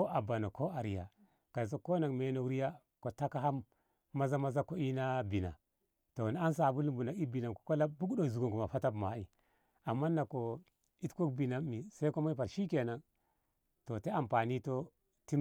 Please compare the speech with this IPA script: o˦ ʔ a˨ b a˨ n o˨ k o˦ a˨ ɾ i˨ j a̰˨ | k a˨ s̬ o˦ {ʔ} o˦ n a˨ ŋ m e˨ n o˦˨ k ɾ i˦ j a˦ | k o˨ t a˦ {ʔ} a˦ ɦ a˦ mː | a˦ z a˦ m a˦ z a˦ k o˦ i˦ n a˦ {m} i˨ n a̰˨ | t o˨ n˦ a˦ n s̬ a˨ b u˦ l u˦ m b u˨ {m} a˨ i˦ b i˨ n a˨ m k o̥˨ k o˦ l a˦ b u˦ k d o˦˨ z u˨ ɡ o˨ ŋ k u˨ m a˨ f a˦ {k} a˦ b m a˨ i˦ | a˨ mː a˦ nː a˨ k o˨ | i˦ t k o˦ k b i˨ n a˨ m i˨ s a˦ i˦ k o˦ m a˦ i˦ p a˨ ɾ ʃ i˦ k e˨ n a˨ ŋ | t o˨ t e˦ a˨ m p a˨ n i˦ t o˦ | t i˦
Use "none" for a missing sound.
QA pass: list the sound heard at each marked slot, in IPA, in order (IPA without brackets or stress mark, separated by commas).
k, k, b, n, t